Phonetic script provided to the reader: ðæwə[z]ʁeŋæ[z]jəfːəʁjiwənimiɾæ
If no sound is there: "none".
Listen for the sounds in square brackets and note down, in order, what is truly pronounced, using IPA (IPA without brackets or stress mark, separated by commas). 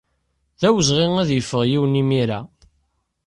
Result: z, ð